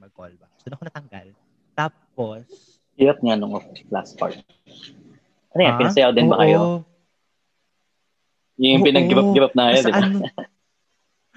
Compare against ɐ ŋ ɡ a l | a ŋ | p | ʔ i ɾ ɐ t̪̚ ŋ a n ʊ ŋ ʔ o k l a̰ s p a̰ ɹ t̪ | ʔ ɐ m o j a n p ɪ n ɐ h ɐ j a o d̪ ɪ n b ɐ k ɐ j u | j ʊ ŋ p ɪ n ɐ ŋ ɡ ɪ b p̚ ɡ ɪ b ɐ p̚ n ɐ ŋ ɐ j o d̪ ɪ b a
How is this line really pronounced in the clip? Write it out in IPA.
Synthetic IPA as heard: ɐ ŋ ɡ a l | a | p | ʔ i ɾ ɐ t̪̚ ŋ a n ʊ ŋ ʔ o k l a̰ s p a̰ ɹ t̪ | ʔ ɐ n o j a n p ɪ n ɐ s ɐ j a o d̪ ɪ n b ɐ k ɐ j o | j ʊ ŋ p ɪ n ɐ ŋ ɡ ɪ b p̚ ɡ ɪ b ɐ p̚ n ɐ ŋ ɐ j o d̪ ɪ b a